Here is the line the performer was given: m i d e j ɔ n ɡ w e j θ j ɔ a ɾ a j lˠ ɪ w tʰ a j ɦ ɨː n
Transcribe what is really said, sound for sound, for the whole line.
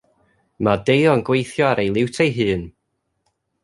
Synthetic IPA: m a d e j ɔ n ɡ w e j θ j ɔ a ɾ e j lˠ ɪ w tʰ e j ɦ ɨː n